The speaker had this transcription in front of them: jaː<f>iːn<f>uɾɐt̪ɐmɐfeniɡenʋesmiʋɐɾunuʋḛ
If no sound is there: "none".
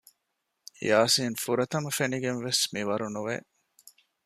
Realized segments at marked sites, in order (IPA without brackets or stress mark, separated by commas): s, f